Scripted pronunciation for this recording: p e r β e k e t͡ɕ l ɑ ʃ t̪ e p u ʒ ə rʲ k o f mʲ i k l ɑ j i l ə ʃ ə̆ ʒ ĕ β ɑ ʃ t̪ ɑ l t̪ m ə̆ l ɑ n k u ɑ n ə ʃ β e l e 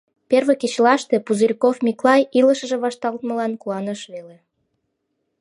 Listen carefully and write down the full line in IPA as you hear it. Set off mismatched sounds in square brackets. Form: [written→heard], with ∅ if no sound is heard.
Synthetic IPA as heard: p e r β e k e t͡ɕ l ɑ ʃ t̪ e p u [ʒ→z] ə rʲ k o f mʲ i k l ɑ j i l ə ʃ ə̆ ʒ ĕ β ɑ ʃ t̪ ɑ l t̪ m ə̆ l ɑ n k u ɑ n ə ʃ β e l e